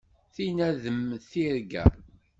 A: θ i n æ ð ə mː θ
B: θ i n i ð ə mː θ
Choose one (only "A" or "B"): A